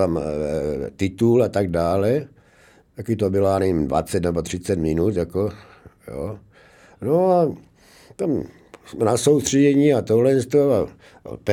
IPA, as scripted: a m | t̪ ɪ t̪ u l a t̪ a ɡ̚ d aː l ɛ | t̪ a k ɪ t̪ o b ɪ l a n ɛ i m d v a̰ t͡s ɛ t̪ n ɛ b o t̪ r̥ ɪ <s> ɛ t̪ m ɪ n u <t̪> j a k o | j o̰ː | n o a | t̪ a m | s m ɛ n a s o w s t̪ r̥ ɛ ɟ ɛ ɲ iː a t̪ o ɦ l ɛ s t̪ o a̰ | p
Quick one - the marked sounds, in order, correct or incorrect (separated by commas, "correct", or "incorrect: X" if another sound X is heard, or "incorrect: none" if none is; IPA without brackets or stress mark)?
incorrect: t͡s, correct